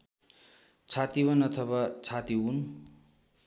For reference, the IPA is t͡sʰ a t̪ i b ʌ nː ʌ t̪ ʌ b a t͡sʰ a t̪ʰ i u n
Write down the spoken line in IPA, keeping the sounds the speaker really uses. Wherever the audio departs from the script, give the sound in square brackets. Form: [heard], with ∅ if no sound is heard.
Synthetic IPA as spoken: t͡sʰ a t̪ i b ʌ [n] ʌ [t̪ʰ] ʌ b a t͡sʰ a [t̪] i u n